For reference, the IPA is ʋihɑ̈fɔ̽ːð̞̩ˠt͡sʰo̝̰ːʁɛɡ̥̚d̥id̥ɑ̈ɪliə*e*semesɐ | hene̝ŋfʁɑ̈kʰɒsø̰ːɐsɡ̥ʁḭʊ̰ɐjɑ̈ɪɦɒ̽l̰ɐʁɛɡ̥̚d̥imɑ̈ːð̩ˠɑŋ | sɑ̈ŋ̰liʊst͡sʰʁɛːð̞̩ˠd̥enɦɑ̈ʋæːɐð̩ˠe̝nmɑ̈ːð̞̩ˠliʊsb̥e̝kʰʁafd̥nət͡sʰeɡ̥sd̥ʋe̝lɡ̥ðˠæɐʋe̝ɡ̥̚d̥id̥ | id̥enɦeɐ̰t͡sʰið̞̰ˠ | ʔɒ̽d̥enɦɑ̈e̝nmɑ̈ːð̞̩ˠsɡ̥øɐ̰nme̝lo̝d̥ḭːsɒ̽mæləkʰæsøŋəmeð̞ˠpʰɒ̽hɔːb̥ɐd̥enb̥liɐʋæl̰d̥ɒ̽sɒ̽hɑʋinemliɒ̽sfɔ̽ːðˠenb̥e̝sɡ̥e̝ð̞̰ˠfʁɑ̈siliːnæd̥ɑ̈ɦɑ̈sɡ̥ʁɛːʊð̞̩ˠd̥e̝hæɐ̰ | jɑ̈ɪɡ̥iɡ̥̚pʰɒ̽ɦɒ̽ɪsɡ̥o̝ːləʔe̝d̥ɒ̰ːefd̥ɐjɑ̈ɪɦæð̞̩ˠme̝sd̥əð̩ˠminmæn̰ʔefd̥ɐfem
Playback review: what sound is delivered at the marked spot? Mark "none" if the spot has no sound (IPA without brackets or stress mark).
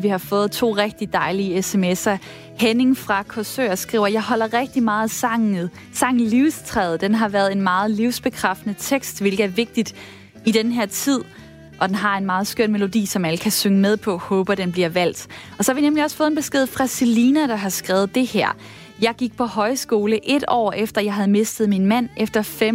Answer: e